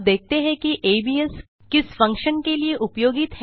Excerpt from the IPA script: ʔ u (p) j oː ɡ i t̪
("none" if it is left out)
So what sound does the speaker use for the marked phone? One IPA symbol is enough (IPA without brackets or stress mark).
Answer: p